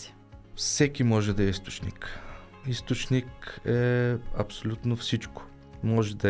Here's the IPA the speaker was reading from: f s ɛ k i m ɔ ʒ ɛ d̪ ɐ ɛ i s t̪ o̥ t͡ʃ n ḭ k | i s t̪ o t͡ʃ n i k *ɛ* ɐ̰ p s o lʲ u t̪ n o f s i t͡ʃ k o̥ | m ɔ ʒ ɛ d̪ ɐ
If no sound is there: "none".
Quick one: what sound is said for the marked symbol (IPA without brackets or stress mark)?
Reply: ɛ